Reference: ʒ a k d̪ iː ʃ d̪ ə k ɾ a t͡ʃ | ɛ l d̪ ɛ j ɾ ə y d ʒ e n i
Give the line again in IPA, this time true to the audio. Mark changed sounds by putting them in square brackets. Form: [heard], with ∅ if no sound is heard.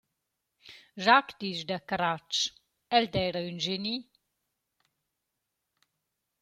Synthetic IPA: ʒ a k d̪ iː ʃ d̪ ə k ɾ a t͡ʃ | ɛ l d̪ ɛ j ɾ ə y [n] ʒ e n i